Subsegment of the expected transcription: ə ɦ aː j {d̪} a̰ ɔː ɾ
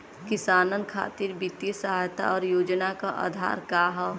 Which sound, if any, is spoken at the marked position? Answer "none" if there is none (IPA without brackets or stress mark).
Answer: t̪